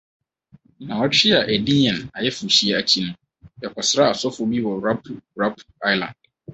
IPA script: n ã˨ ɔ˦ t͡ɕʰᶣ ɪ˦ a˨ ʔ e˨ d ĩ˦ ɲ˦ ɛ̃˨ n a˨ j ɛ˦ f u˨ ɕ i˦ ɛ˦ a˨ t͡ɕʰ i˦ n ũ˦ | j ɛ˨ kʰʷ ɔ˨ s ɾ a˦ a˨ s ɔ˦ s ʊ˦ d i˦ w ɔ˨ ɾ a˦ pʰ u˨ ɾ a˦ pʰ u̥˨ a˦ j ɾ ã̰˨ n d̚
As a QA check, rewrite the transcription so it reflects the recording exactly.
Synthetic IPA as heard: n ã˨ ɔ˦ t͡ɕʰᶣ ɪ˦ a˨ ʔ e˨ d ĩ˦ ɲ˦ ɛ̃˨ n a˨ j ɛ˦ f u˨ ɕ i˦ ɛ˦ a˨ t͡ɕʰ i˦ n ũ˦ | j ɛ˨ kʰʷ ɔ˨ s ɾ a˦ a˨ s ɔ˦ f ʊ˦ b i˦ w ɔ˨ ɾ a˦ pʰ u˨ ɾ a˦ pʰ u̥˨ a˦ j l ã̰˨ n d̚